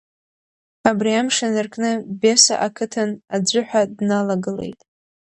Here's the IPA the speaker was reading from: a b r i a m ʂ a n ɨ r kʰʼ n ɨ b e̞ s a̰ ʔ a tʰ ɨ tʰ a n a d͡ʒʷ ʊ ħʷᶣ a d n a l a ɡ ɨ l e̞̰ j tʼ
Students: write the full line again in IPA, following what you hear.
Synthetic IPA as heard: a b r i a m ʂ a n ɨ r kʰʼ n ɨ b e̞ s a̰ ʔ a kʰ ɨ tʰ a n a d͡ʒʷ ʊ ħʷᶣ a d n a l a ɡ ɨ l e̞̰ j tʼ